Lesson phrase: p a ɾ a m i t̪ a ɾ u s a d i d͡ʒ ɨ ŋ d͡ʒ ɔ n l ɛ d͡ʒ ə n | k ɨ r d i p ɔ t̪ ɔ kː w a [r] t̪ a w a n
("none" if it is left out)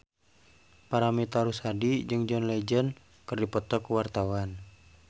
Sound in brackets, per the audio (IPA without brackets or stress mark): r